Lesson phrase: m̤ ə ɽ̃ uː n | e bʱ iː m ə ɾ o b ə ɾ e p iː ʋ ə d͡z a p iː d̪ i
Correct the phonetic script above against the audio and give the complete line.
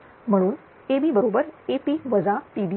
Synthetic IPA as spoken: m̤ ə ɽ̃ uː n | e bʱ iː b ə ɾ o b ə ɾ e p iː ʋ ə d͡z a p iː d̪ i